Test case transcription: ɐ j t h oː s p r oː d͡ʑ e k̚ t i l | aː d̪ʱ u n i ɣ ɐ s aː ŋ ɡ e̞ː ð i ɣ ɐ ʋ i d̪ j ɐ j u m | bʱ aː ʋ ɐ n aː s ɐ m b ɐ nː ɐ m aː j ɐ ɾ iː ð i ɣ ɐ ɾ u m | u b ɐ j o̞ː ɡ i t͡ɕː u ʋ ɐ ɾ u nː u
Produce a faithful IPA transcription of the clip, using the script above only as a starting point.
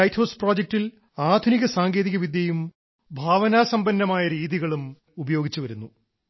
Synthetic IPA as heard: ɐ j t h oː s p r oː d͡ʑ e k̚ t i l | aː d̪ʱ u n i ɣ ɐ s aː ŋ ɡ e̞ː ð i ɣ ɐ ʋ i d̪ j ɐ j u m | bʱ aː ʋ ɐ n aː s ɐ m b ɐ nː ɐ m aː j ɐ ɾ iː ð i ɣ ɐ ɭ u m | u b ɐ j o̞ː ɡ i t͡ɕː u ʋ ɐ ɾ u nː u